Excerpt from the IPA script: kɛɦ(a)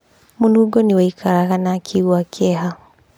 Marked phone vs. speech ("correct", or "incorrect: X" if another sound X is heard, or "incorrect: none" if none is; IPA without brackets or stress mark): correct